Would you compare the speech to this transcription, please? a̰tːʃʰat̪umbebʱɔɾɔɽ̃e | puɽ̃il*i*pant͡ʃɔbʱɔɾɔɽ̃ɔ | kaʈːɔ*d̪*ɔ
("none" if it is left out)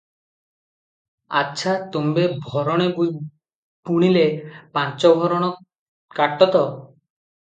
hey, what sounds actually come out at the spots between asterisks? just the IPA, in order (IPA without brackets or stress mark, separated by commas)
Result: e, t̪